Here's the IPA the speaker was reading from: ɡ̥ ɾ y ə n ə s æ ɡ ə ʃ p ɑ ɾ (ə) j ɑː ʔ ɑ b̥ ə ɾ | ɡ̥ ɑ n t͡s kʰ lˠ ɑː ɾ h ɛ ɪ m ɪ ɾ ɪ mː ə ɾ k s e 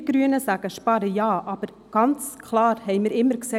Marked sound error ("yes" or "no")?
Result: no